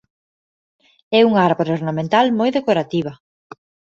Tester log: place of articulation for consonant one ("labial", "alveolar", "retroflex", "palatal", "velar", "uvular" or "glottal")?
velar